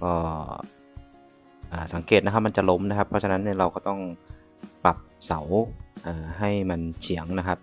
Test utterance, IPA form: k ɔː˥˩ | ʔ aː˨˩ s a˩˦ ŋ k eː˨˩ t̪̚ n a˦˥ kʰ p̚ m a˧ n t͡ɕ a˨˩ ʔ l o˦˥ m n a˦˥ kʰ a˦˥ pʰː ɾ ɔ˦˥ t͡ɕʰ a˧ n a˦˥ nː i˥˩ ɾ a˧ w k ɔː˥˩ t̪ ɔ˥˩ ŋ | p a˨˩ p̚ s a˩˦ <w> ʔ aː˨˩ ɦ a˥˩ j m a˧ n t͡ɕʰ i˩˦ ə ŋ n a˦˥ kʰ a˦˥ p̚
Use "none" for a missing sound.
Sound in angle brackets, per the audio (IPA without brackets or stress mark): w